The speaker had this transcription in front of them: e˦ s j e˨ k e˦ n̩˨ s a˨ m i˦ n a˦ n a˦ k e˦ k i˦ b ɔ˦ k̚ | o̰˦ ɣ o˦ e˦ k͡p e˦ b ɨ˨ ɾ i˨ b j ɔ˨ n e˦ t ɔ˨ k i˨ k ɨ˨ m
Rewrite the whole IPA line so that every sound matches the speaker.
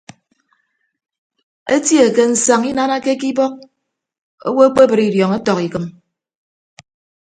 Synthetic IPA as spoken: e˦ t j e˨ k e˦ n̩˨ s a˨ ŋ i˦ n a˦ n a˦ k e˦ k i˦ b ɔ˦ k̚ | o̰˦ w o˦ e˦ k͡p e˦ b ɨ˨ ɾ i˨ d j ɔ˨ ŋ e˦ t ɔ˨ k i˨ k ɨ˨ m